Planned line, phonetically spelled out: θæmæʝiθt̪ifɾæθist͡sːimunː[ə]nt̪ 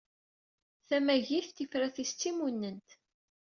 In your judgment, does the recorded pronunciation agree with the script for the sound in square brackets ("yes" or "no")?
yes